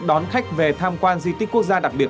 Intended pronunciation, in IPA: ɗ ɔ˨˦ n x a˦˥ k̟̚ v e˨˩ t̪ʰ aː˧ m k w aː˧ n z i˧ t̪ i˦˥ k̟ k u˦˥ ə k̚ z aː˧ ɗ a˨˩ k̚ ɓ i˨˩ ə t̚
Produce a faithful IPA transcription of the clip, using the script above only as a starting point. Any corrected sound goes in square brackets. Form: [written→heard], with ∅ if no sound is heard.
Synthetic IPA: ɗ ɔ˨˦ n x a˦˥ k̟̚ v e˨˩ t̪ʰ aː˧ m k w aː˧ n z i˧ t̪ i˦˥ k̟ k u˦˥ ə k̚ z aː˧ ɗ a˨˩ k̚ ɓ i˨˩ ə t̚

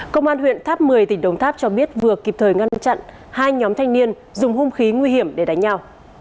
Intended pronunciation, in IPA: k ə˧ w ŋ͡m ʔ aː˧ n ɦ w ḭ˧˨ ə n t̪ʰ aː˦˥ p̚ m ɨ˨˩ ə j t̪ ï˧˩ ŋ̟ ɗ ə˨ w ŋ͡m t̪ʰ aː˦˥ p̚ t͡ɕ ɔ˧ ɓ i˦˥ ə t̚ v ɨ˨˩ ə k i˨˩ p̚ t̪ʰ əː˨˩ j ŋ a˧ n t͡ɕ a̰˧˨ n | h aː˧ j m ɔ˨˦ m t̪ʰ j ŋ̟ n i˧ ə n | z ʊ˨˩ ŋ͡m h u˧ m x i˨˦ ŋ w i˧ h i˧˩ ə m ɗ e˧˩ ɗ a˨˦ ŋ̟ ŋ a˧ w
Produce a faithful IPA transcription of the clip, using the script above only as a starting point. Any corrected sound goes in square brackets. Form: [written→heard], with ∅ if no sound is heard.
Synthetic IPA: k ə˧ w ŋ͡m ʔ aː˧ n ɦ w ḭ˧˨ ə n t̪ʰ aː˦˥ p̚ m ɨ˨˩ ə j t̪ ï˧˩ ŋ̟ ɗ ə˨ w ŋ͡m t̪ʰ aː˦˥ p̚ t͡ɕ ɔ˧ ɓ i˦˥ ə t̚ v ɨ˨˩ ə k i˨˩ p̚ t̪ʰ əː˨˩ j ŋ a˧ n t͡ɕ a̰˧˨ n | h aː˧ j [m→ɲ] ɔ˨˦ m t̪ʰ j ŋ̟ n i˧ ə n | z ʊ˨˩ ŋ͡m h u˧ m x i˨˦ ŋ w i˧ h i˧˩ ə m ɗ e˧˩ ɗ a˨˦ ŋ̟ [ŋ→ɲ] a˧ w

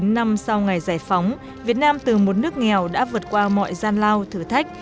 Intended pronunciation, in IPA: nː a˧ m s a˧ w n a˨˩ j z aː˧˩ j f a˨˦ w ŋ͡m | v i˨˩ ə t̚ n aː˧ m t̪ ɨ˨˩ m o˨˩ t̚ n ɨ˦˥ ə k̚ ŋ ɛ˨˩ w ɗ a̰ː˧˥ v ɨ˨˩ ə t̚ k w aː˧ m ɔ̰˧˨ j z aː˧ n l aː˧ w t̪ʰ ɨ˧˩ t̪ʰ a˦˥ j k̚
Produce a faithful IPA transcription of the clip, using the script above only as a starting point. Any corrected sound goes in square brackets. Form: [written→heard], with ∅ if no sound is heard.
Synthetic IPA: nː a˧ m s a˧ w [n→ŋ] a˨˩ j z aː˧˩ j f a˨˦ w ŋ͡m | v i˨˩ ə t̚ n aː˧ m t̪ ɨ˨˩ m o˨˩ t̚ n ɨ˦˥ ə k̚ ŋ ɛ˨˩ w ɗ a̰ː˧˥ v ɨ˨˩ ə t̚ k w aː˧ m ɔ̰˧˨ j z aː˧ n l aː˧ w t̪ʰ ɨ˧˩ t̪ʰ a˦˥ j k̚

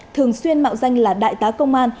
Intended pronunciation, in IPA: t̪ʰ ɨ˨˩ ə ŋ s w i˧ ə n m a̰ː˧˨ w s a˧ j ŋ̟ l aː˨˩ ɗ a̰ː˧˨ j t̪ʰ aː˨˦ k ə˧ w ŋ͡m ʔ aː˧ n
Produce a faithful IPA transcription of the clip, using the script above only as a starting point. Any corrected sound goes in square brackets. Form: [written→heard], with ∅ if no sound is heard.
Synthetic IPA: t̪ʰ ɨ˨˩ ə ŋ s w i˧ ə n m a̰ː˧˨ w [s→z] a˧ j ŋ̟ l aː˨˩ ɗ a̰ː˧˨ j [t̪ʰ→t̪] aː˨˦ k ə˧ w ŋ͡m ʔ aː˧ n

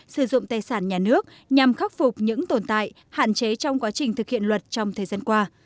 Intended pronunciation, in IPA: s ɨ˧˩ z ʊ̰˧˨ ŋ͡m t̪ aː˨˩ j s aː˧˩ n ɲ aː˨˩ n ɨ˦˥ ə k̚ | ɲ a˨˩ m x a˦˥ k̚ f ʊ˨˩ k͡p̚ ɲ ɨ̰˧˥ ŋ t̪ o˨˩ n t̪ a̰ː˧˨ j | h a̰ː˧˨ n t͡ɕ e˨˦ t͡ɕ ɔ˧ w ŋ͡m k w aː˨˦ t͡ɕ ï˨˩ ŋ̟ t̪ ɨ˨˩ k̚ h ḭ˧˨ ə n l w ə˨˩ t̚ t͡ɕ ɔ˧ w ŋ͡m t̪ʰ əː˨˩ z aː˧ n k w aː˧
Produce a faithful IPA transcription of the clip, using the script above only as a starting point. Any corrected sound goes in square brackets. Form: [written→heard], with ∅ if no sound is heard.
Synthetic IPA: s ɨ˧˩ z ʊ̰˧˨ ŋ͡m t̪ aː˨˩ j s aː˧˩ n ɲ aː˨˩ n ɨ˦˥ ə k̚ | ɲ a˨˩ m x a˦˥ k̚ f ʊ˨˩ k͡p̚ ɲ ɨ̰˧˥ ŋ t̪ o˨˩ n t̪ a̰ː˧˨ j | h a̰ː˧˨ n t͡ɕ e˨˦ t͡ɕ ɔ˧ w ŋ͡m k w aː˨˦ t͡ɕ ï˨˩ ŋ̟ t̪ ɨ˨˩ k̚ h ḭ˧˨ ə n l w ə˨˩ t̚ t͡ɕ ɔ˧ w ŋ͡m t̪ʰ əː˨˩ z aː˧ n k w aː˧

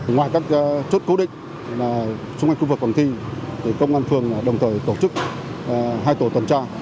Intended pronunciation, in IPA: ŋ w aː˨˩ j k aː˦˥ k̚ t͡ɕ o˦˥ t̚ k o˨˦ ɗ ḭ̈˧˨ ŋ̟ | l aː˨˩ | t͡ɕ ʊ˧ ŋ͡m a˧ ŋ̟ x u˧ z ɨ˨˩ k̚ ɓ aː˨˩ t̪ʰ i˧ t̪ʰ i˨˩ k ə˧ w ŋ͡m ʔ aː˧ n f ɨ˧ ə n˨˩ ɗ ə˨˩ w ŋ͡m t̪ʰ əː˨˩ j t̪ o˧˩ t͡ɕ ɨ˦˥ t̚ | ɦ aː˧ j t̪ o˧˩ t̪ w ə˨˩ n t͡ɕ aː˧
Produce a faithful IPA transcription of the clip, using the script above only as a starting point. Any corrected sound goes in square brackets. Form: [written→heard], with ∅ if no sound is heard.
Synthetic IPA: ŋ w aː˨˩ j k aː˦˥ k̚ t͡ɕ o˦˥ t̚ k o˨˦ ɗ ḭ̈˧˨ ŋ̟ | l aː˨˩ | t͡ɕ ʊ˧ ŋ͡m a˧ ŋ̟ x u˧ [z→v] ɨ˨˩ k̚ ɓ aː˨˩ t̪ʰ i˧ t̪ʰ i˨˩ k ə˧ w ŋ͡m ʔ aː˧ n f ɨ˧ ə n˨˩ ɗ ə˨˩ w ŋ͡m t̪ʰ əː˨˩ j t̪ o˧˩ t͡ɕ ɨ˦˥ [t̚→k̚] | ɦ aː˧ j t̪ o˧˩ t̪ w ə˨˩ n t͡ɕ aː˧

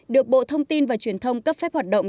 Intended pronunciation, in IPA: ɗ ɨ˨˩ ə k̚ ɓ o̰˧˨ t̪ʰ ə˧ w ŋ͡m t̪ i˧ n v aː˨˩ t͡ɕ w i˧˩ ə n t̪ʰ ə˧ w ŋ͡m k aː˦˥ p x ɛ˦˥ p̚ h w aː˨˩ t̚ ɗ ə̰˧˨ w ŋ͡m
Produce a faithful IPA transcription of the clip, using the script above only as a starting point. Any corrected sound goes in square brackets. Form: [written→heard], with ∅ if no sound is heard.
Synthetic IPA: ɗ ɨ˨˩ ə k̚ ɓ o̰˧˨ t̪ʰ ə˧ w ŋ͡m t̪ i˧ n v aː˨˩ t͡ɕ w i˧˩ ə n t̪ʰ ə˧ w ŋ͡m k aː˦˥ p [x→f] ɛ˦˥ p̚ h w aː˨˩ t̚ ɗ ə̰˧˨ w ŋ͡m

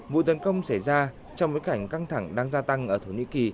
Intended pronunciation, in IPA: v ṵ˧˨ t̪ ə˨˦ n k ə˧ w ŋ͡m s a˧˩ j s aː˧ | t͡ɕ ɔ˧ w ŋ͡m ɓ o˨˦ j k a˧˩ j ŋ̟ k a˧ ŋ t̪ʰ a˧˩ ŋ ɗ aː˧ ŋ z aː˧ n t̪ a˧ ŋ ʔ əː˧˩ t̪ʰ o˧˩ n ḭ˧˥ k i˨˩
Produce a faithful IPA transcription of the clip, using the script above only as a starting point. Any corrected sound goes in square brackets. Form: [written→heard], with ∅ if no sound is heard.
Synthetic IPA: v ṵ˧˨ t̪ ə˨˦ n k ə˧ w ŋ͡m s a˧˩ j [s→z] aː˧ | t͡ɕ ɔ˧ w ŋ͡m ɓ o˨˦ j k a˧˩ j ŋ̟ k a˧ ŋ t̪ʰ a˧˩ ŋ ɗ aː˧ ŋ z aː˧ [n→∅] t̪ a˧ ŋ ʔ əː˧˩ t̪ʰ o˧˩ n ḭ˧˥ k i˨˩

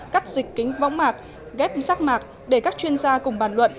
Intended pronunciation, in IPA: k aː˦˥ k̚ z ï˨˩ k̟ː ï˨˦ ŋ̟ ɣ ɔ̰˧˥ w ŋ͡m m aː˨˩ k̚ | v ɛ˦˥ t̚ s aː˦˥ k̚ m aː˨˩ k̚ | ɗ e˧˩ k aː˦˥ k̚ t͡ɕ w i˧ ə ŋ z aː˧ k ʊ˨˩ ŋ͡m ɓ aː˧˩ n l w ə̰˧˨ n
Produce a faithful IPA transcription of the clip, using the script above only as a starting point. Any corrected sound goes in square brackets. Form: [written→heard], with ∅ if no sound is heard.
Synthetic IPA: k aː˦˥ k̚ z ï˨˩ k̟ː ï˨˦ ŋ̟ [ɣ→v] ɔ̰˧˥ w ŋ͡m m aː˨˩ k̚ | [v→ɣ] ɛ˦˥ [t̚→p̚] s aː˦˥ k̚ m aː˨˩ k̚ | ɗ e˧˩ k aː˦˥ k̚ t͡ɕ w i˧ ə [ŋ→n] z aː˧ k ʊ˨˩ ŋ͡m ɓ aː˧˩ n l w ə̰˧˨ n

